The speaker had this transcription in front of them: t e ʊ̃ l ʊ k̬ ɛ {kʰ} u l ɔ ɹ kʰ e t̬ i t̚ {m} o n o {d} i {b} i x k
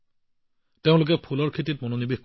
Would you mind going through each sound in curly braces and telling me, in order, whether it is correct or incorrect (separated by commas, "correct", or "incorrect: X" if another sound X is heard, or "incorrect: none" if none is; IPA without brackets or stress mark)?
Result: incorrect: pʰ, correct, incorrect: n, correct